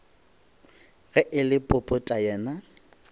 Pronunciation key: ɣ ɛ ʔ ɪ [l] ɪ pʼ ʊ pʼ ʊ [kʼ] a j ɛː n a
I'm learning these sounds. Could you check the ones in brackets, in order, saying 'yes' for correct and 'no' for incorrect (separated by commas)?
yes, no